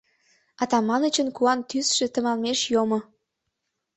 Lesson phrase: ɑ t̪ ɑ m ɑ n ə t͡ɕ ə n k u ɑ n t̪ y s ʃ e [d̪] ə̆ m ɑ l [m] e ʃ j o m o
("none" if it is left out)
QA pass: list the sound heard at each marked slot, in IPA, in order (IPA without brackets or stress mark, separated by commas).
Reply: t̪, m